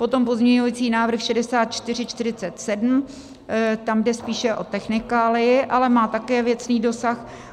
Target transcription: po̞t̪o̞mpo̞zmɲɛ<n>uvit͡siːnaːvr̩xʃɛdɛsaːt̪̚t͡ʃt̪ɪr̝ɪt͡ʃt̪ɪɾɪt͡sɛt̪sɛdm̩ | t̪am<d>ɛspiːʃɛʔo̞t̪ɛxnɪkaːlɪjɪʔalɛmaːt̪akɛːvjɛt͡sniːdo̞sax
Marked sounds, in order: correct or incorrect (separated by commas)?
incorrect, correct